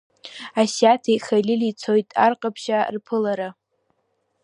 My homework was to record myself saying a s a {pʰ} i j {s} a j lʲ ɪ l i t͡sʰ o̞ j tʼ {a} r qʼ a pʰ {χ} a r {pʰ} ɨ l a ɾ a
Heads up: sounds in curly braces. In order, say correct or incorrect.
incorrect: tʰ, incorrect: χ, correct, incorrect: ʃ, correct

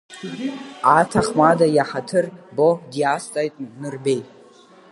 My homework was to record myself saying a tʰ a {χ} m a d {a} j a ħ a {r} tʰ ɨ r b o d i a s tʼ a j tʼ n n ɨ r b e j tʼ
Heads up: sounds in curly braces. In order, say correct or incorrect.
correct, correct, incorrect: none

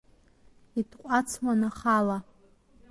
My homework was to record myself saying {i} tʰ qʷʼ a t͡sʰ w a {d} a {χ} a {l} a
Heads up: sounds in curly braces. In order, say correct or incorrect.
correct, incorrect: n, correct, correct

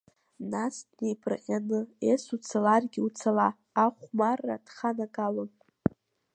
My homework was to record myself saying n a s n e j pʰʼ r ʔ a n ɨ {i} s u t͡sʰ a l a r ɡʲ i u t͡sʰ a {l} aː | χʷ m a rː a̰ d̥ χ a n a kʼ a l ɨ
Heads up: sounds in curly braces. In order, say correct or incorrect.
incorrect: e, correct

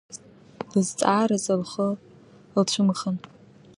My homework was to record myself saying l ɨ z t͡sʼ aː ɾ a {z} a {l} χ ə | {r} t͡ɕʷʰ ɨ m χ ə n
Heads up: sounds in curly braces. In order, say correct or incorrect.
correct, correct, incorrect: l

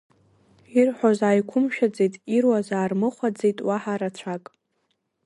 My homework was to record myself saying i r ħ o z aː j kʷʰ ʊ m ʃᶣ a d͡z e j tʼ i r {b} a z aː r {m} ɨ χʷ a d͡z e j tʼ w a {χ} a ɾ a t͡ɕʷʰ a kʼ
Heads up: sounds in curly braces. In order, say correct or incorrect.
incorrect: w, correct, incorrect: ħ

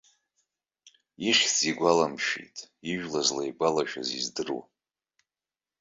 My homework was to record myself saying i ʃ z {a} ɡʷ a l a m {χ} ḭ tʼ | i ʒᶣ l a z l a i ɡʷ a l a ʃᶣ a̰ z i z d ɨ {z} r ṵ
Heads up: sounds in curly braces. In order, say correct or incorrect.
incorrect: i, incorrect: ʃ, incorrect: none

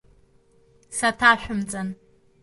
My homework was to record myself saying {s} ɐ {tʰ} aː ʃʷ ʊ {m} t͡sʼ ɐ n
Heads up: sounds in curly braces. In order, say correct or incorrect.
correct, correct, correct

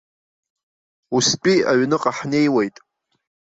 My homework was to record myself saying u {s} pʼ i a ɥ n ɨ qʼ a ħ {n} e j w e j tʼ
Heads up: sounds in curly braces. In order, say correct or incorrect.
correct, correct

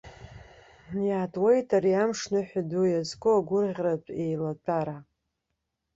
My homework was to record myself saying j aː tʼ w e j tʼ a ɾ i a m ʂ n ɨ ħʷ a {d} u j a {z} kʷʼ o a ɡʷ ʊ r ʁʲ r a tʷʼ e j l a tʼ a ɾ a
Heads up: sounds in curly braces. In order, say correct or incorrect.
correct, correct

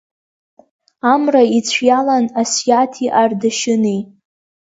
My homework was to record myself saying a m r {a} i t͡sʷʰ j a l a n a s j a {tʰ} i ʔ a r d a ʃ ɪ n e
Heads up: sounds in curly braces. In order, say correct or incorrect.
correct, correct

